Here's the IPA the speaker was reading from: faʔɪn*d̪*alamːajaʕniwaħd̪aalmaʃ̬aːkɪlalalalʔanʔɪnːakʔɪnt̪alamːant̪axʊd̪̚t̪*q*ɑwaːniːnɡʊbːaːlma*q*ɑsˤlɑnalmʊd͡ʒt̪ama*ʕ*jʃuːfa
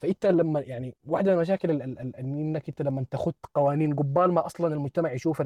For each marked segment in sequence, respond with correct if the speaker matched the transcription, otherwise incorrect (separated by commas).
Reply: incorrect, correct, incorrect, correct